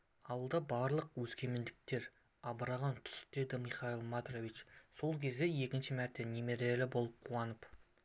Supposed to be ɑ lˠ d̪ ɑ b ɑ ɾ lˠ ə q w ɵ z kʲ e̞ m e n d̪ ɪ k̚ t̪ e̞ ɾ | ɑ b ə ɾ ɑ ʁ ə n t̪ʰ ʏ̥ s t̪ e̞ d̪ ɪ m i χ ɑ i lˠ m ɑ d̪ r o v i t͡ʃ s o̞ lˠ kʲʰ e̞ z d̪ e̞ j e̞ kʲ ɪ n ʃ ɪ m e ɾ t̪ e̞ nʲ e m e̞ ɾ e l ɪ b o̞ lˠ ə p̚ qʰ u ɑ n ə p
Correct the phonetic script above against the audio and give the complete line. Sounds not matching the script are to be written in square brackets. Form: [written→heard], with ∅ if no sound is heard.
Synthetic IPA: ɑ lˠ d̪ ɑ b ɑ ɾ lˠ ə q w ɵ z kʲ e̞ m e n d̪ ɪ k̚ t̪ e̞ ɾ | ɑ b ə ɾ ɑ ʁ [ə→ɑ] n t̪ʰ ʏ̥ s t̪ e̞ d̪ ɪ m i χ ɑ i lˠ m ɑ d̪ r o v i t͡ʃ s o̞ lˠ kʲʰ e̞ z d̪ e̞ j e̞ kʲ ɪ n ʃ ɪ m [e→æ] ɾ t̪ e̞ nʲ e m e̞ ɾ e l ɪ b o̞ lˠ ə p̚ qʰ u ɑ n ə p